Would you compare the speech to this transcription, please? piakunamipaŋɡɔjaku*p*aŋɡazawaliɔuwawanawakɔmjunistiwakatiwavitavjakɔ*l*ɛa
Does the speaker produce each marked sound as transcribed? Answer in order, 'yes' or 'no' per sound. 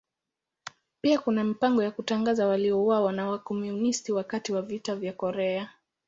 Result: no, no

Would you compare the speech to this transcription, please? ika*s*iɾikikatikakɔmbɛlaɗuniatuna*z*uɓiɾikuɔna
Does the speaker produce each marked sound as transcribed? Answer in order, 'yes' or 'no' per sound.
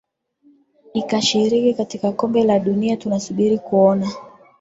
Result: no, no

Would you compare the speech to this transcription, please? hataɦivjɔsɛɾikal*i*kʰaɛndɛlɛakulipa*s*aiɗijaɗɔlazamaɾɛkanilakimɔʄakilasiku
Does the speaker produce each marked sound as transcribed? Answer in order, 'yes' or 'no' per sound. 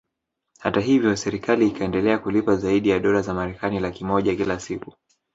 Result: no, no

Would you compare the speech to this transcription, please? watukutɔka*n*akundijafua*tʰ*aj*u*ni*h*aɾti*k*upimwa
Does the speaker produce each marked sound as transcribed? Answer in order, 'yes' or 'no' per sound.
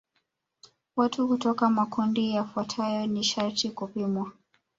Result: no, yes, no, no, yes

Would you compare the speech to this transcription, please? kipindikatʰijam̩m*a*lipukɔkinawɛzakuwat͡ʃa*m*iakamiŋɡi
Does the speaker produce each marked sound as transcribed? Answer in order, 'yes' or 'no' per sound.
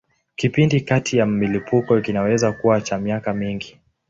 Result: no, yes

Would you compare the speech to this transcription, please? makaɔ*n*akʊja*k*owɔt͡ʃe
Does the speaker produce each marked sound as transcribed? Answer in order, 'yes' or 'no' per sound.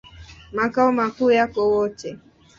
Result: no, yes

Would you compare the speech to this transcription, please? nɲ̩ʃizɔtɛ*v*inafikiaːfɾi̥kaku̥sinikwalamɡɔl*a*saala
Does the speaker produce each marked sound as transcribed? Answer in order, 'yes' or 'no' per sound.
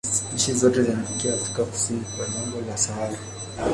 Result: no, yes

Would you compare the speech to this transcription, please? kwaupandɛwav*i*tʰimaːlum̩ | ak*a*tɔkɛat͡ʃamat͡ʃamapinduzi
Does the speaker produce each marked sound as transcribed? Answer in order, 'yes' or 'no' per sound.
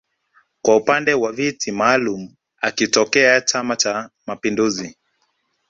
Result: yes, no

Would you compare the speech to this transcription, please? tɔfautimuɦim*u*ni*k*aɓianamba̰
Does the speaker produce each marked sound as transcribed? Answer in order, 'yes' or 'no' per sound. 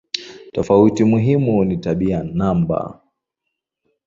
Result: yes, no

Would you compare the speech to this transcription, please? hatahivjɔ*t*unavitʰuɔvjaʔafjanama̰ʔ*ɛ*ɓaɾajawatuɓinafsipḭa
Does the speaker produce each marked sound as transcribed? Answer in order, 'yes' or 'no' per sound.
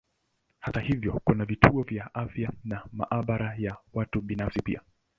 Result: no, no

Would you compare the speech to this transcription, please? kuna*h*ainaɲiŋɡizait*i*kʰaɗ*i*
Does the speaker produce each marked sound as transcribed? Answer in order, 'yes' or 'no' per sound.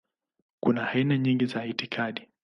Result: yes, yes, yes

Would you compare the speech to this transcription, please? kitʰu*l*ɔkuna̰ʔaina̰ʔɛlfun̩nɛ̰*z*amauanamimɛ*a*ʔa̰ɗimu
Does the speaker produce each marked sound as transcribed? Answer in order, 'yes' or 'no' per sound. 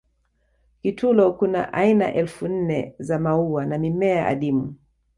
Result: yes, yes, yes

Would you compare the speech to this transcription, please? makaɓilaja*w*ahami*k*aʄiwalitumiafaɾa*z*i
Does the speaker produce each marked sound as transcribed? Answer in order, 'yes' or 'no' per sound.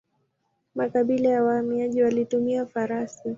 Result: yes, no, no

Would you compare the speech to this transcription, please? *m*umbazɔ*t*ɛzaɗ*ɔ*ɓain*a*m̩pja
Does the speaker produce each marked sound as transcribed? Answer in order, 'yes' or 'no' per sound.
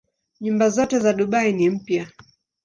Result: no, yes, no, no

